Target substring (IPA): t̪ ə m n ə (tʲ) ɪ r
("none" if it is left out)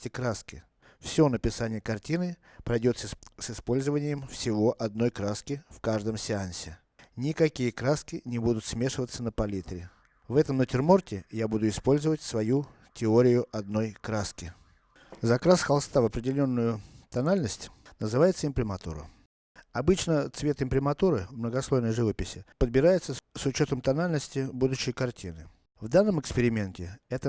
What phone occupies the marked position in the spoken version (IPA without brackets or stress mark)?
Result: tʲ